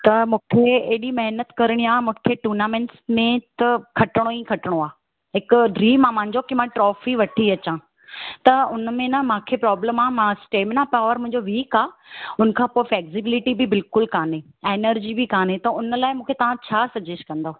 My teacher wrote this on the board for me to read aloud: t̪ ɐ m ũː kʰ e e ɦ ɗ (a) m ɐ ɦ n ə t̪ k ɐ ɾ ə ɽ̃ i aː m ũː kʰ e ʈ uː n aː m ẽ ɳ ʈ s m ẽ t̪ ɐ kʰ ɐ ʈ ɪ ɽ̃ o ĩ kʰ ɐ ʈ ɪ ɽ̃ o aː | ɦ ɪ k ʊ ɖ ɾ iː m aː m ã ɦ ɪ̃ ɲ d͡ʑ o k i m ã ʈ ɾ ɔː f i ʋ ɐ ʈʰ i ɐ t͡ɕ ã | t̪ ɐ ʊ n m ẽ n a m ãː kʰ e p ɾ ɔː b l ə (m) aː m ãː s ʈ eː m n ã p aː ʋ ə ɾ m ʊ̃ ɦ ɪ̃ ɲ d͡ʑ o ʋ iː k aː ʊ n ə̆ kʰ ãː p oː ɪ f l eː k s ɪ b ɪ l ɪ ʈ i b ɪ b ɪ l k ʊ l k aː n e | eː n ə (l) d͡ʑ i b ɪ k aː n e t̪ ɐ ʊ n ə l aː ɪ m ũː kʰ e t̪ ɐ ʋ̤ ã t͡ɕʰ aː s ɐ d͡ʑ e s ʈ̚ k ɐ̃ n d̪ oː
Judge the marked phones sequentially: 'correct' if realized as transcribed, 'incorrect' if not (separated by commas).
incorrect, correct, incorrect